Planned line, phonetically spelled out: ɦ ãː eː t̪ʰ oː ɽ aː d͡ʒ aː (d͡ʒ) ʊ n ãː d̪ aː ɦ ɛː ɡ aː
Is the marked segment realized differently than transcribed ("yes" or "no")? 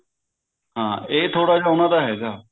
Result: yes